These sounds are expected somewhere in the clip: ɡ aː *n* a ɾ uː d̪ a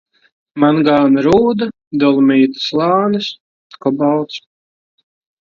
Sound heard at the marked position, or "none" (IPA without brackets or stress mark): n